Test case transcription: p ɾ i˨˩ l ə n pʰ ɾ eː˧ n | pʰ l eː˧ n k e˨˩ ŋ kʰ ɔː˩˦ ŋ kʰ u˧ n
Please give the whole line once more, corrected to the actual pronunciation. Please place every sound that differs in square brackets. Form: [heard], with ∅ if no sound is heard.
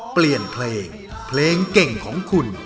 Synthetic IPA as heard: p [l] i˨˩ [∅] ə n pʰ [l] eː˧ [ŋ] | pʰ l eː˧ [ŋ] k e˨˩ ŋ kʰ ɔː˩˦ ŋ kʰ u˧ n